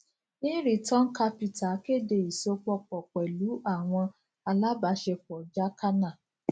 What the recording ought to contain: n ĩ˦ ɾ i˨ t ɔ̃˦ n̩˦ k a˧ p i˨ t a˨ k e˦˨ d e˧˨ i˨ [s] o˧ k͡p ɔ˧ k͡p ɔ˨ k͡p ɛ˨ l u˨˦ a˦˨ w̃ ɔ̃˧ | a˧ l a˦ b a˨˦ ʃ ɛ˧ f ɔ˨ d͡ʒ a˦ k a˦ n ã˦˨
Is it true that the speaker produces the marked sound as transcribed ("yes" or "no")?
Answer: yes